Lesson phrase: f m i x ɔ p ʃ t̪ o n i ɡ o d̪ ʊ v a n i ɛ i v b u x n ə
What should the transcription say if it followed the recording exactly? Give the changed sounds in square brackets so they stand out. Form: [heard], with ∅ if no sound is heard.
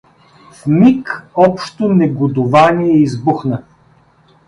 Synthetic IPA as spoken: f m i [k] ɔ p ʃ t̪ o n [ɛ] ɡ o d̪ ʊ v a n i ɛ i [z] b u x n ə